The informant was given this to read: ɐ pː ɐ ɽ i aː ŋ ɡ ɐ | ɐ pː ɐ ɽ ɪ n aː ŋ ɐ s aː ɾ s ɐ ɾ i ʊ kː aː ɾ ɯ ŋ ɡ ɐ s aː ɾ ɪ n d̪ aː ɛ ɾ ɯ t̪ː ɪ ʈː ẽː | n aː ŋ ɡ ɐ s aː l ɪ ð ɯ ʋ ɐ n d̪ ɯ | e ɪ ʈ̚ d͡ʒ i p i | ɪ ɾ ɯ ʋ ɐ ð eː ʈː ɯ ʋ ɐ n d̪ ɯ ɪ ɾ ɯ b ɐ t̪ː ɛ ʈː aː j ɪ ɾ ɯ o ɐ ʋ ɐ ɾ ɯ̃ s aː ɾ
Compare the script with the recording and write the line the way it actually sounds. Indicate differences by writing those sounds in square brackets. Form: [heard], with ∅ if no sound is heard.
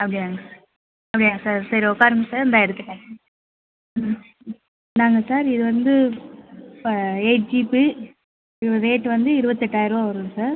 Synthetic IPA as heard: ɐ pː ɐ ɽ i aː ŋ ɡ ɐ | ɐ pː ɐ ɽ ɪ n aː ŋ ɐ s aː ɾ s ɐ ɾ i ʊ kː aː ɾ ɯ ŋ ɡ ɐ s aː ɾ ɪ n d̪ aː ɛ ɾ ɯ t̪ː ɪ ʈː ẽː | n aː ŋ ɡ ɐ s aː [ɾ] ɪ ð ɯ ʋ ɐ n d̪ ɯ | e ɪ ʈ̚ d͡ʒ i p i | ɪ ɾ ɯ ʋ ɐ ð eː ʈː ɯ ʋ ɐ n d̪ ɯ ɪ ɾ ɯ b ɐ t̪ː ɛ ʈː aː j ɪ ɾ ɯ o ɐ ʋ ɐ ɾ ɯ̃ s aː ɾ